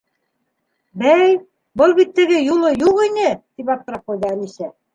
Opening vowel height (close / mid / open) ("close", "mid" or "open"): open